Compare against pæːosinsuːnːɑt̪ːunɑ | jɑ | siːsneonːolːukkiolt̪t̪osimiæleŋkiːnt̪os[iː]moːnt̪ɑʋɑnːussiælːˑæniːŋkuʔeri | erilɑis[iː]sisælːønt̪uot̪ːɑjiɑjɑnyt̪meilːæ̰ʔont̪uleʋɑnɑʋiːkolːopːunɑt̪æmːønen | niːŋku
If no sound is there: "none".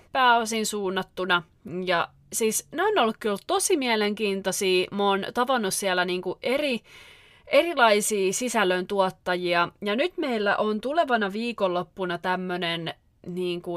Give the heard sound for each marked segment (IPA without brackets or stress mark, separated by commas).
iː, iː